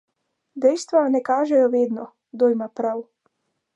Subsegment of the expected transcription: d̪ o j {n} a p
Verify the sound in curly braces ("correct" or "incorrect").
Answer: incorrect